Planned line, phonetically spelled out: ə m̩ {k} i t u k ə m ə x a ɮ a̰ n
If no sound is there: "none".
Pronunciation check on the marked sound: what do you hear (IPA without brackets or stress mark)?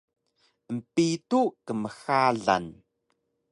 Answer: p